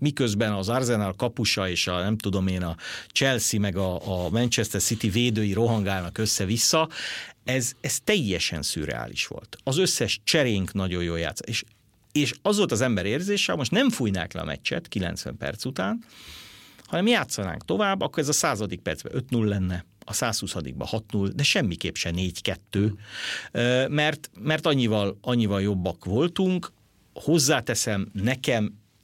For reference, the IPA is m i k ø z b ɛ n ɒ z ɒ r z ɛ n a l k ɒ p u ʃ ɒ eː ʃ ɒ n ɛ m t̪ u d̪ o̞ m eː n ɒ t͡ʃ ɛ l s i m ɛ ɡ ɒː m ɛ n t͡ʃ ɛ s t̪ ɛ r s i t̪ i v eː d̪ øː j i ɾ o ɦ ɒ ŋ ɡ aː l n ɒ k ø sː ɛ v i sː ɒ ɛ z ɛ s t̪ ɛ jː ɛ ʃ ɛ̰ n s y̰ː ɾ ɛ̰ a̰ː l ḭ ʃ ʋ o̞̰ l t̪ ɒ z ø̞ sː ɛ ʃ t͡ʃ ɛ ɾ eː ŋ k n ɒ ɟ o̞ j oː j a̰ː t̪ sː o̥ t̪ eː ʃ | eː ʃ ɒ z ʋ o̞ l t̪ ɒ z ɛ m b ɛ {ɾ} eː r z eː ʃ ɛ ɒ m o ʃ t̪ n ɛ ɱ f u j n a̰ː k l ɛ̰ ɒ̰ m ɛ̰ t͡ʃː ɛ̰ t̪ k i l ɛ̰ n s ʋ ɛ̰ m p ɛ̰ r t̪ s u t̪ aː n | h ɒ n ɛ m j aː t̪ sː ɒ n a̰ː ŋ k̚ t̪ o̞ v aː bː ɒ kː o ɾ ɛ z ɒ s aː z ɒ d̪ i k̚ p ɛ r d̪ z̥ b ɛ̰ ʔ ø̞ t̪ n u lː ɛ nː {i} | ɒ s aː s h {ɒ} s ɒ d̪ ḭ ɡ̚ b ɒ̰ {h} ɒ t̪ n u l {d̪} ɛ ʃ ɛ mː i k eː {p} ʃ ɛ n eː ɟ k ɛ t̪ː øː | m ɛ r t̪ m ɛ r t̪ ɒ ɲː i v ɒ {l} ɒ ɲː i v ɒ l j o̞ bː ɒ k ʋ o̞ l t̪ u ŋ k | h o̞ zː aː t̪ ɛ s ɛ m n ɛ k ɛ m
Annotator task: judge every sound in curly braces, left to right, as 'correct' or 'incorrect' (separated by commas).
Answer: correct, incorrect, incorrect, correct, correct, correct, correct